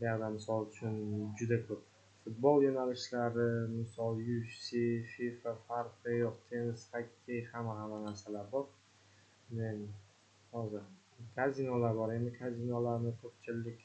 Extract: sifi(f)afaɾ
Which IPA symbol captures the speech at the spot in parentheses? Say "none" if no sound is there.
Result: f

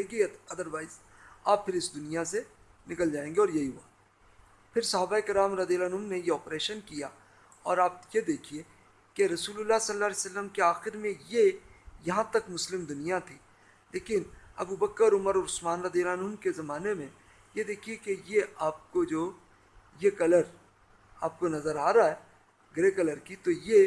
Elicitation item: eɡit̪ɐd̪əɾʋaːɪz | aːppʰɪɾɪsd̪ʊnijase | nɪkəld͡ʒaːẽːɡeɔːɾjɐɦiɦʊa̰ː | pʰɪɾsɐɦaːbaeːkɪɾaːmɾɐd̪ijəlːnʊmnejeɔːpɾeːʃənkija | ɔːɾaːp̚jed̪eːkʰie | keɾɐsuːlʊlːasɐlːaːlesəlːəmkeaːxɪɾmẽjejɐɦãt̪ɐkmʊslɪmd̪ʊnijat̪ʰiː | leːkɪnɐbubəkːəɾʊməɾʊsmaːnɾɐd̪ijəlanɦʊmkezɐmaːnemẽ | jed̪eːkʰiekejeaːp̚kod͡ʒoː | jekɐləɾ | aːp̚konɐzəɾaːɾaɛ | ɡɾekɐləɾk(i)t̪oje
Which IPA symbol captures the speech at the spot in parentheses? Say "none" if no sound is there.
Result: i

